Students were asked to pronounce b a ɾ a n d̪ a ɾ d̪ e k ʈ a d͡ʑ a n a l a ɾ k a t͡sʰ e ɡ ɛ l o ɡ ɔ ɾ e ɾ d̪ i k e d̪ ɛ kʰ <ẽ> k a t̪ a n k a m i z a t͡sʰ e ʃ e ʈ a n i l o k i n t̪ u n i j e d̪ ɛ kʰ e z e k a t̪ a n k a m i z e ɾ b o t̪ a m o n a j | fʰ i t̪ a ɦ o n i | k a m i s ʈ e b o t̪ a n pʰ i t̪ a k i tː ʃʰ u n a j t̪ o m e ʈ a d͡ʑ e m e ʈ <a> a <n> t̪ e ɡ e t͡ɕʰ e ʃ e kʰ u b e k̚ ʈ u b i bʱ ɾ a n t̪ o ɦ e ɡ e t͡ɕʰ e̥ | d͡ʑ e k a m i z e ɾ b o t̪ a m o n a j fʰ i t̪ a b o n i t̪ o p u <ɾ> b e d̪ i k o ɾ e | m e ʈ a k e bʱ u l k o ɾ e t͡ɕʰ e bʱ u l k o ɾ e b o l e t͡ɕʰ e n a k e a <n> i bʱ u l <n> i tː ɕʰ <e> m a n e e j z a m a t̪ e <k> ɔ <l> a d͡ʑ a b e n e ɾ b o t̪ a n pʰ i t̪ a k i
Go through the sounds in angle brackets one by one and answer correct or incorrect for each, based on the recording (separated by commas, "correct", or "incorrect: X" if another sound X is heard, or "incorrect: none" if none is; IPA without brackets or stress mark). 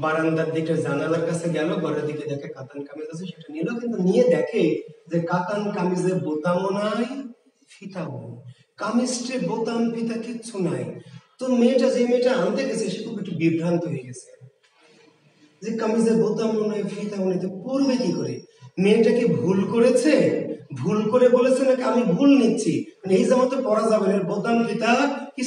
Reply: incorrect: e, correct, correct, correct, incorrect: m, correct, incorrect: i, incorrect: p, incorrect: ɾ